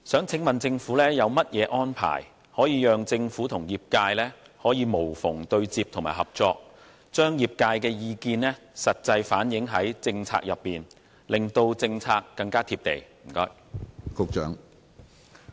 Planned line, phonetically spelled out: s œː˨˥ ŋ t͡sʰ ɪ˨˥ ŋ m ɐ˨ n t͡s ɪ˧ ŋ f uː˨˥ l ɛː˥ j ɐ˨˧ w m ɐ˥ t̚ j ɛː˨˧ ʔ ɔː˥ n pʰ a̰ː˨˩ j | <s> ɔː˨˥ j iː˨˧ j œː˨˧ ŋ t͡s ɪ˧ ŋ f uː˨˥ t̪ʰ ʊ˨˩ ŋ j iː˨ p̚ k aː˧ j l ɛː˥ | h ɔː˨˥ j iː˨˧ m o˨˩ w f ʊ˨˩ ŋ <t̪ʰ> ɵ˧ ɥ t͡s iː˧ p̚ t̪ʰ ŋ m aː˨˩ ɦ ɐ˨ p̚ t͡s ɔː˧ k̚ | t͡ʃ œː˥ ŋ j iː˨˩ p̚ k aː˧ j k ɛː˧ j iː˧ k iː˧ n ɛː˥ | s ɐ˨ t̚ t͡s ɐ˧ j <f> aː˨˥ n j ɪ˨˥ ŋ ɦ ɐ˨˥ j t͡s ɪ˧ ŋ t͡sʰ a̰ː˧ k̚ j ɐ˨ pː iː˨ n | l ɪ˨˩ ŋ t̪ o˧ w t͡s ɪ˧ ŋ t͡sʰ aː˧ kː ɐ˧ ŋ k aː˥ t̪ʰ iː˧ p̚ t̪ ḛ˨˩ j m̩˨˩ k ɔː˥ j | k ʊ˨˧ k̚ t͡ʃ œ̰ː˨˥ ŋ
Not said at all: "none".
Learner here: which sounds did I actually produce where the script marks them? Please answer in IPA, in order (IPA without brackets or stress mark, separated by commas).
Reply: h, t̪, f